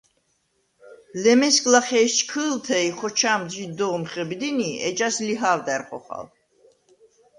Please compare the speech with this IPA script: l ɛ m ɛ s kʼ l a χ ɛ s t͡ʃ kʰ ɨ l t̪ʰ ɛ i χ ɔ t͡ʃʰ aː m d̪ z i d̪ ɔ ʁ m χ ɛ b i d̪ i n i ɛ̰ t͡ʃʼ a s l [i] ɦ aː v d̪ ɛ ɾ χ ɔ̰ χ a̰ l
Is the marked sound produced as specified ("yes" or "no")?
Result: yes